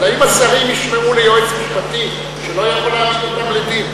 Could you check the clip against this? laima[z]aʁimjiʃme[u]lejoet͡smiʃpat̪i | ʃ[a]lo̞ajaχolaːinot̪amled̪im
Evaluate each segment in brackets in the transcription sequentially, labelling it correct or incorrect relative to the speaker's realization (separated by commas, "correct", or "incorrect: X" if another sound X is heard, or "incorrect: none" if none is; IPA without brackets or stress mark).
incorrect: s, correct, incorrect: e